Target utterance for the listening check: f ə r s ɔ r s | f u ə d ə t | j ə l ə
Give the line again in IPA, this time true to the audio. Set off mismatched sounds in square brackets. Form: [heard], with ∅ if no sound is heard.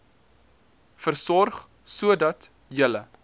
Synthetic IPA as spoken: f ə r s ɔ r [χ] | [s] u ə d [ɐ] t | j ə l ə